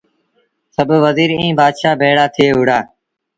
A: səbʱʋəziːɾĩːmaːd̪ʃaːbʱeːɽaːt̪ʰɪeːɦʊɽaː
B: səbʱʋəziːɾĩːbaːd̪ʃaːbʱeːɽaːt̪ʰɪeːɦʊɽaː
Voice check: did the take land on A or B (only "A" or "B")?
B